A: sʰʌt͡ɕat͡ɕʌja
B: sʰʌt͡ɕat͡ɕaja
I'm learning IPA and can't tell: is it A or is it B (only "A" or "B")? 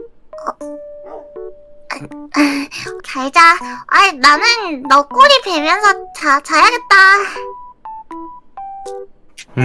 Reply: B